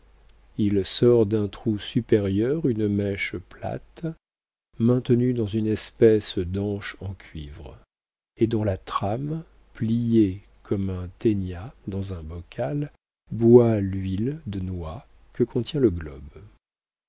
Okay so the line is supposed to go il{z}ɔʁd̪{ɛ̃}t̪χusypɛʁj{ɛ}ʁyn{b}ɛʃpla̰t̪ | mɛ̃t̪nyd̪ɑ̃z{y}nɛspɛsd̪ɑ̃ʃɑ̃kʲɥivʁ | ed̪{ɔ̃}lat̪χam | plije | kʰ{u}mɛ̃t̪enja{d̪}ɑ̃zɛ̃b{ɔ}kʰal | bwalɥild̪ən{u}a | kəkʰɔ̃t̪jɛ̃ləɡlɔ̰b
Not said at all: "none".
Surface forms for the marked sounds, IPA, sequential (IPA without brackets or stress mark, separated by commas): s, ɛ̃, œ, m, y, ɔ̃, ɔ, d̪, ɔ, w